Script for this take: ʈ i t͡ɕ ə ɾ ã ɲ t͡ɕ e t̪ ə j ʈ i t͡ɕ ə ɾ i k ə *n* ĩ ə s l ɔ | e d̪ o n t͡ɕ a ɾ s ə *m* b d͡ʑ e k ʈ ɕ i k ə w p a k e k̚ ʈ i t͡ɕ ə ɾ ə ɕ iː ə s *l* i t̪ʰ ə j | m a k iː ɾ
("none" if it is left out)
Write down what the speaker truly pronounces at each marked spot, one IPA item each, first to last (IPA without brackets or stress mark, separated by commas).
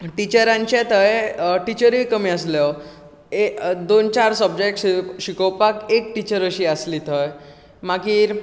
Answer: m, none, l